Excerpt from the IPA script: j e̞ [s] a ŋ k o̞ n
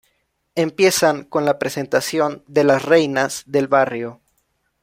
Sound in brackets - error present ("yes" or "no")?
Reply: no